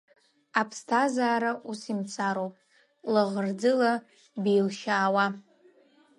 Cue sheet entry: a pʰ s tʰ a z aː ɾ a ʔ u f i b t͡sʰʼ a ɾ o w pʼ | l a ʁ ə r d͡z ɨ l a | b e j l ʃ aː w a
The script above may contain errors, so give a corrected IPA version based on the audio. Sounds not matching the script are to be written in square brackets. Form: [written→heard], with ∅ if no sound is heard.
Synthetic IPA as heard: a pʰ s tʰ a z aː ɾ a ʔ u [f→s] i [b→m] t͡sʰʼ a ɾ o w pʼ | l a ʁ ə r d͡z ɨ l a | b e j l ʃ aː w a